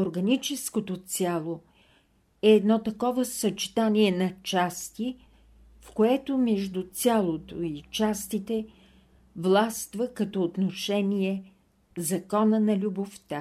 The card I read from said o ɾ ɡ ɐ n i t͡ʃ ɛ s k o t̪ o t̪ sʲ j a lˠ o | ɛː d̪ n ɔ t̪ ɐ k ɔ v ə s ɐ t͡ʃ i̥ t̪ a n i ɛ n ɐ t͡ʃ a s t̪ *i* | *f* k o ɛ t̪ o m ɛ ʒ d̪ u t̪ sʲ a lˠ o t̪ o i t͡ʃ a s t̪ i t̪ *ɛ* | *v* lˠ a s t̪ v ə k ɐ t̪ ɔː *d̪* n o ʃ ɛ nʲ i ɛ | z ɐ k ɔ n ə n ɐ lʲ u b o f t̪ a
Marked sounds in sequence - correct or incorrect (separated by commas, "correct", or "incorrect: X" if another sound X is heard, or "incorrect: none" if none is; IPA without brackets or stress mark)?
correct, correct, correct, correct, incorrect: t̪